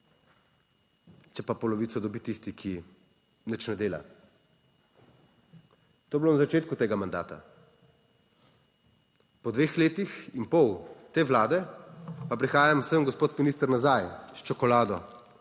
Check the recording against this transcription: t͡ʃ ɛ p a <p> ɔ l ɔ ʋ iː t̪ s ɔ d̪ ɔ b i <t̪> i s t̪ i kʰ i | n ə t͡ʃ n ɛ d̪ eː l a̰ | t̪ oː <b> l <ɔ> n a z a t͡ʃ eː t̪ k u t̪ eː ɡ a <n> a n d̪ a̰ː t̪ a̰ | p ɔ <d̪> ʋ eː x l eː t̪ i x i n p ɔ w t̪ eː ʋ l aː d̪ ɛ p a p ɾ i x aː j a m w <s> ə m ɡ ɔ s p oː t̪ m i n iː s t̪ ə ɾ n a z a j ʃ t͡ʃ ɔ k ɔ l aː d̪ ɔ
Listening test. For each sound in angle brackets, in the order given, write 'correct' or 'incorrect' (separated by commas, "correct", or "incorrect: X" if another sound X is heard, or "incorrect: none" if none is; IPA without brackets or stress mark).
correct, correct, correct, incorrect: o, incorrect: m, correct, correct